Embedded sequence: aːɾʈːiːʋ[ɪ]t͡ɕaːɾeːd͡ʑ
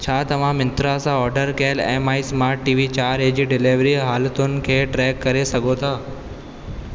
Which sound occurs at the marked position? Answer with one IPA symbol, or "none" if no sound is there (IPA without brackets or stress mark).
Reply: i